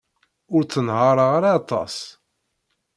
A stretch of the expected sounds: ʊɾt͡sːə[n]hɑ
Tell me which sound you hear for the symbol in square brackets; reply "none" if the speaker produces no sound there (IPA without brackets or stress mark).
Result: n